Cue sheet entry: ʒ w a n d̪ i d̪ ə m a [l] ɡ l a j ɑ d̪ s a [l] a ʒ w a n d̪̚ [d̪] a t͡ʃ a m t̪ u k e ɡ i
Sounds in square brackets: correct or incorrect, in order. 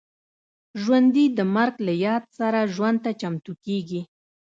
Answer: incorrect, incorrect, incorrect

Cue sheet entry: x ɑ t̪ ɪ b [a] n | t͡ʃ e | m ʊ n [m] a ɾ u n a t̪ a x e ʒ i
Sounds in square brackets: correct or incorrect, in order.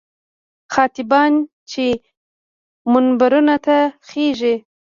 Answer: incorrect, incorrect

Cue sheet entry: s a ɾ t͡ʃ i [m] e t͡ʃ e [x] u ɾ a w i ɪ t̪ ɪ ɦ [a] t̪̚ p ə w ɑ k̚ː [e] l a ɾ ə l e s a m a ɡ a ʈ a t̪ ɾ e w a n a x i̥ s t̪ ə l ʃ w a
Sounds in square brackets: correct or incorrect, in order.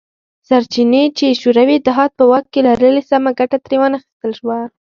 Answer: incorrect, incorrect, incorrect, correct

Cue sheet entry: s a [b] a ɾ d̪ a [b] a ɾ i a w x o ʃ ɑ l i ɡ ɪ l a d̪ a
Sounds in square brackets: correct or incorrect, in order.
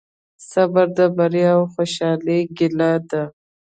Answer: correct, correct

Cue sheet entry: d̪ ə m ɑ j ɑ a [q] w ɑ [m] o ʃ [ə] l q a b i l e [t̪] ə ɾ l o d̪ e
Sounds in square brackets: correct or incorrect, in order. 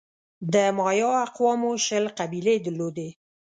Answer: correct, correct, correct, incorrect

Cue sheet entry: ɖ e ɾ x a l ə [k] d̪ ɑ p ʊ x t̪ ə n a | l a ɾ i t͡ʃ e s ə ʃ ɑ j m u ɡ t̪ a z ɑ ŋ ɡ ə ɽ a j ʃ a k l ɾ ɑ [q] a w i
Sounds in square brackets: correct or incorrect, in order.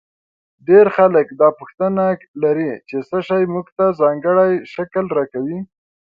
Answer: correct, incorrect

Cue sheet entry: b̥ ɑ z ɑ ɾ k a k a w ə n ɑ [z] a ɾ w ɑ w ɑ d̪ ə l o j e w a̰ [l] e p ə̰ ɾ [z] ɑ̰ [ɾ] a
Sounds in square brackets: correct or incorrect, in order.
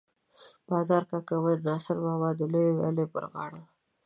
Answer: incorrect, correct, incorrect, incorrect

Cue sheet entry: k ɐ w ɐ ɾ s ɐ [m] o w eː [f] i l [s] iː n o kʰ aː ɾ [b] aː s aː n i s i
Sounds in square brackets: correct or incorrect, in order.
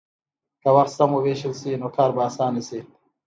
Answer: correct, incorrect, correct, correct

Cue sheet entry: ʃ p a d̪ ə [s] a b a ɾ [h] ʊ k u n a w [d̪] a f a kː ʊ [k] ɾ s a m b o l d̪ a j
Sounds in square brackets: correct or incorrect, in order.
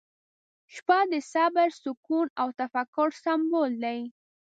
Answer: correct, incorrect, incorrect, incorrect

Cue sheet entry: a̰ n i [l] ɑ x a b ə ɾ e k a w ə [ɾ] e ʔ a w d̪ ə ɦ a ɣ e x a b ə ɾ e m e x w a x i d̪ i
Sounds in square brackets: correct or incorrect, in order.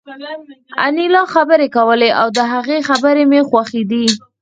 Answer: correct, incorrect

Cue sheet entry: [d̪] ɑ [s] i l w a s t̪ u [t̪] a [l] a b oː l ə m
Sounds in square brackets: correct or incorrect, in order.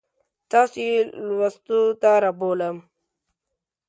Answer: incorrect, correct, correct, incorrect

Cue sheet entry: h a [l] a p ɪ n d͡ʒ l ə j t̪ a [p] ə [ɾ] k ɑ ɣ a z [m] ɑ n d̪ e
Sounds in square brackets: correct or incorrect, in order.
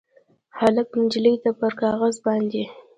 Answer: correct, correct, correct, incorrect

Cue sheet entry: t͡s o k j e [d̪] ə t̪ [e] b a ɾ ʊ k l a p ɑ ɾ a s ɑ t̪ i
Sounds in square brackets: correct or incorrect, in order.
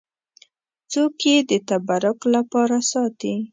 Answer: correct, incorrect

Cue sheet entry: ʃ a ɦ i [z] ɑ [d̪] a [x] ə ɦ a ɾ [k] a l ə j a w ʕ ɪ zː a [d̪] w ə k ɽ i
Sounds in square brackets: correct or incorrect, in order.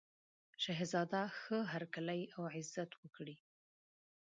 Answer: correct, correct, correct, correct, incorrect

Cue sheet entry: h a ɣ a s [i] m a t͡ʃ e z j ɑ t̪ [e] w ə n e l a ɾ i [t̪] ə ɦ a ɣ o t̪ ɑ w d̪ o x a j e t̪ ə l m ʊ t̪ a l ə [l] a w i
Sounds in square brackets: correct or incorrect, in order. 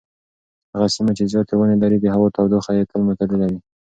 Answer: correct, correct, incorrect, correct

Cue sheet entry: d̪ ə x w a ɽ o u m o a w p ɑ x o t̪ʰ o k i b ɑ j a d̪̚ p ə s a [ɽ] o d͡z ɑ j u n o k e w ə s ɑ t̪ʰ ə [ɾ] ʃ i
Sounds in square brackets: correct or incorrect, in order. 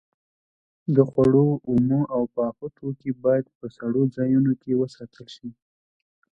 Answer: correct, incorrect

